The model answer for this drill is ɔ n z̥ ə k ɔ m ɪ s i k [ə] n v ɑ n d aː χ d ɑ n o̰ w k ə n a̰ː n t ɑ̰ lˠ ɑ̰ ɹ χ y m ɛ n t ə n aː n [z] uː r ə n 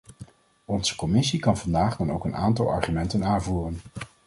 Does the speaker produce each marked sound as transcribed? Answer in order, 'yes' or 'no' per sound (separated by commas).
no, no